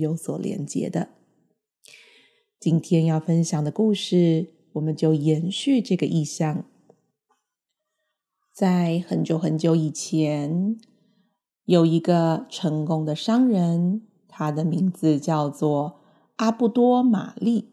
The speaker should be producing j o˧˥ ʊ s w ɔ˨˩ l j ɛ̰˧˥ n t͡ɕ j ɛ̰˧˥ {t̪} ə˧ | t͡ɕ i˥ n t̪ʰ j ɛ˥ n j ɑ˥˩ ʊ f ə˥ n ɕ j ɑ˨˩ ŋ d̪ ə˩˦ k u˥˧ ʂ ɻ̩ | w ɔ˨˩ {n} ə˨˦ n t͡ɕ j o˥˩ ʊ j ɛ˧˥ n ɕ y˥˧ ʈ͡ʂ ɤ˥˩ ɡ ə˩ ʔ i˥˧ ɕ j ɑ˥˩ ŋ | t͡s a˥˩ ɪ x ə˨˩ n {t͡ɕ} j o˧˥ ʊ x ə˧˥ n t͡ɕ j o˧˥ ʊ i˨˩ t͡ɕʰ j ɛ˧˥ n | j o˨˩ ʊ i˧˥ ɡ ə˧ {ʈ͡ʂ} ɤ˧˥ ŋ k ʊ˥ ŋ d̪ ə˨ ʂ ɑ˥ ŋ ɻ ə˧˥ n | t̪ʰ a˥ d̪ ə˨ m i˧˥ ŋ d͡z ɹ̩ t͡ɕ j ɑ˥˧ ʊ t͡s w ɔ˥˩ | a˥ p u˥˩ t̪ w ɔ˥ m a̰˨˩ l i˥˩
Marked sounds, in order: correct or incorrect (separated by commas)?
incorrect, incorrect, correct, incorrect